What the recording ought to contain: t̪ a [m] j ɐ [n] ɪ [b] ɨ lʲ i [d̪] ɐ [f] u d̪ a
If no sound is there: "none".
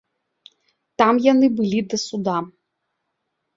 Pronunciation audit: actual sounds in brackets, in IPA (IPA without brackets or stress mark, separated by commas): m, n, b, d̪, s